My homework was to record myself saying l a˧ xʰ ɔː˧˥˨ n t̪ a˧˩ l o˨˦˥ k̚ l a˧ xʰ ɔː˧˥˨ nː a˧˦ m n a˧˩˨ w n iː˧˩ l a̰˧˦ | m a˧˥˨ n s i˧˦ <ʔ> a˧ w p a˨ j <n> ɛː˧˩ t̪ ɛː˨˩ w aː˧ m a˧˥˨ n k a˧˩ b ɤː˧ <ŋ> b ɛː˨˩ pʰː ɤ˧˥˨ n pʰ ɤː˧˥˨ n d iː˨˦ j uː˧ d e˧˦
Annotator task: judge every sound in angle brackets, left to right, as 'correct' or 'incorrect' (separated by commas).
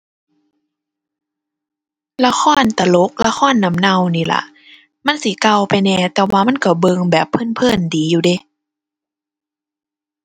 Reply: incorrect, correct, correct